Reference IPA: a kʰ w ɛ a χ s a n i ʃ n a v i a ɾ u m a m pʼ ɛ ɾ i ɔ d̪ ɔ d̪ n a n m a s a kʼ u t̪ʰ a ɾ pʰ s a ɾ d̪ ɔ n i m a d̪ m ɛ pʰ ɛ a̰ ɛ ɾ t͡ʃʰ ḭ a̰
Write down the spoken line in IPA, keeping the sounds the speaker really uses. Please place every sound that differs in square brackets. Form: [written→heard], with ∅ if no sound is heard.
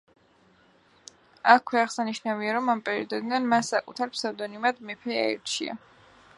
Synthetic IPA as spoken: a kʰ w ɛ a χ s a n i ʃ n a v i a ɾ [u→ɔ] m a m pʼ ɛ ɾ i ɔ d̪ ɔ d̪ n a n m a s a kʼ u t̪ʰ a ɾ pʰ s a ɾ d̪ ɔ n i m a d̪ m ɛ pʰ ɛ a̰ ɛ ɾ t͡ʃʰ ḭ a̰